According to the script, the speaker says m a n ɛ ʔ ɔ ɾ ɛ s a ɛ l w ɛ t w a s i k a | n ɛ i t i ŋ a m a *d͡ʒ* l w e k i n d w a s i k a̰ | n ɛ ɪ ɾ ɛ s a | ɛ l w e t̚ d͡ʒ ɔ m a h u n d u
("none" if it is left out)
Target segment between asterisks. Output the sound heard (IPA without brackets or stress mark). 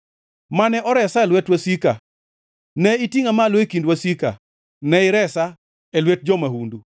none